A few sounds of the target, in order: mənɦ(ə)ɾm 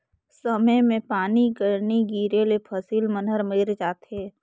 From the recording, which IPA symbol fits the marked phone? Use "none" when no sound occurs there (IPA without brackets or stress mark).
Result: ə